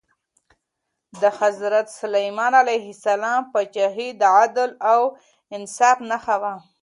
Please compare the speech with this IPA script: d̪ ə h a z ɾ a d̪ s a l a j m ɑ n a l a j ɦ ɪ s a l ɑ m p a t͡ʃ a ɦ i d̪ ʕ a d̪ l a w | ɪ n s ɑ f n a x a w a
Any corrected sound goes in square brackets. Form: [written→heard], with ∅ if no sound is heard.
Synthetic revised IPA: d̪ ə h a z ɾ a [d̪→t̪] s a l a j m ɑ n a l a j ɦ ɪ s a l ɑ m p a t͡ʃ a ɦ i d̪ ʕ a d̪ l a w | ɪ n s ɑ f n a x a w a